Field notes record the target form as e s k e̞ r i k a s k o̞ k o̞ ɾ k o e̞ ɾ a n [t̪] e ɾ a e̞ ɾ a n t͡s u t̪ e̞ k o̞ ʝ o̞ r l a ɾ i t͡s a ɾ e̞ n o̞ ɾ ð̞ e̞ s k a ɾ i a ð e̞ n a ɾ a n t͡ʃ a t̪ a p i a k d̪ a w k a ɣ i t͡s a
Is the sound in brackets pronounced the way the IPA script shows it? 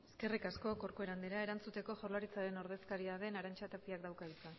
no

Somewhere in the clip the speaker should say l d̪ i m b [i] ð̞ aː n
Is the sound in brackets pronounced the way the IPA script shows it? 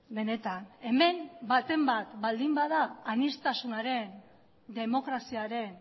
no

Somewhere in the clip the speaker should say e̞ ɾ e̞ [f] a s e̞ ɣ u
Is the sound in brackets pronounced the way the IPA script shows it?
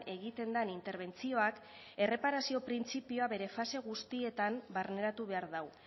yes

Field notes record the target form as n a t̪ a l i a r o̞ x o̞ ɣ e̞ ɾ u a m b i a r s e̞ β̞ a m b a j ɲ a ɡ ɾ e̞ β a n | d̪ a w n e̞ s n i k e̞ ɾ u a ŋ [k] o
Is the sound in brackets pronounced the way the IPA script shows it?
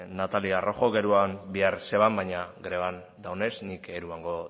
no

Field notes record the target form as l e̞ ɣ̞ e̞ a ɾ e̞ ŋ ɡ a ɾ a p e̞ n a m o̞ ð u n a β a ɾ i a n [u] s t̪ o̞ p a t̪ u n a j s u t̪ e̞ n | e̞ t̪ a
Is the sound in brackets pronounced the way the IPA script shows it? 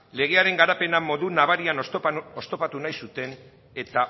no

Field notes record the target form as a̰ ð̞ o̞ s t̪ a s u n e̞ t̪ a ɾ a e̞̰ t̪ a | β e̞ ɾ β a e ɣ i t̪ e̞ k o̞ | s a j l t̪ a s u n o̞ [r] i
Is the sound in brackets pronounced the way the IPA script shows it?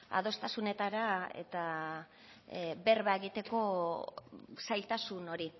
no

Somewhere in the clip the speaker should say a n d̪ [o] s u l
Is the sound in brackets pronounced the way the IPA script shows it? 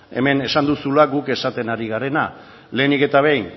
no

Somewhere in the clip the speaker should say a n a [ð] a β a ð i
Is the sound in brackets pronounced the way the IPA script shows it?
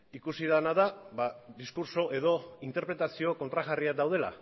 yes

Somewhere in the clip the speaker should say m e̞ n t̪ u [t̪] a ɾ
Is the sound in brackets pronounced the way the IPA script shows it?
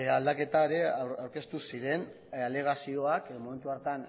no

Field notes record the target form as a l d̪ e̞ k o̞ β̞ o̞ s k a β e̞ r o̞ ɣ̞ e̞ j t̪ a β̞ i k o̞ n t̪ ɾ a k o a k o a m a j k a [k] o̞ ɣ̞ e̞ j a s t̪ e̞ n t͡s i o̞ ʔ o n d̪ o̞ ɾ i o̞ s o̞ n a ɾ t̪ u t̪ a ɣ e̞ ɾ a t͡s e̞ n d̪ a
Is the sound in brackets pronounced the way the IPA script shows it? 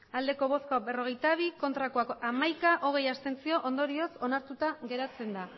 no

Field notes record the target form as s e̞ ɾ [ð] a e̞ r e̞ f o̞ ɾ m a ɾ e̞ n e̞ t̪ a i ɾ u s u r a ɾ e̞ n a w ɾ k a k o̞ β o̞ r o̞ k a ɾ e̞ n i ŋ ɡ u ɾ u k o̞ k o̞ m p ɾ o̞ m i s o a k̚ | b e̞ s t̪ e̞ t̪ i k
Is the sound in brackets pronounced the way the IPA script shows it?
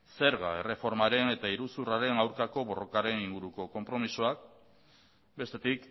no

